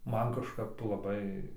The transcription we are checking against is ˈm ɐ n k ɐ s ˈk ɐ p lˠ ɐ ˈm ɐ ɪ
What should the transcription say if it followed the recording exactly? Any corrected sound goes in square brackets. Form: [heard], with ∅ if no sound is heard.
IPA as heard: ˈm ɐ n k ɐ [ʃ] ˈk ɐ p lˠ ɐ [ˈb] ɐ ɪ